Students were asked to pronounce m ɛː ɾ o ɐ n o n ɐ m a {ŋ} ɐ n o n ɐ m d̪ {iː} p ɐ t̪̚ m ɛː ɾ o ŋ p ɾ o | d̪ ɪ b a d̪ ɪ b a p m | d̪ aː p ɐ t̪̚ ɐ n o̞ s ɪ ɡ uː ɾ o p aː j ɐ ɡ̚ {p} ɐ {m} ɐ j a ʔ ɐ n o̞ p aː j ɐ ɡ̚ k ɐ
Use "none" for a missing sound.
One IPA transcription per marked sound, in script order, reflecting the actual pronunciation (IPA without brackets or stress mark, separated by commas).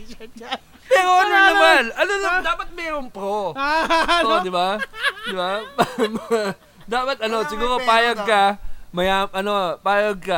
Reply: n, aː, k, m